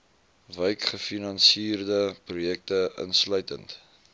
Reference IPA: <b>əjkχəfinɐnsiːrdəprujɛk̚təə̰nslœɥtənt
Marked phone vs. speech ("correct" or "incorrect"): incorrect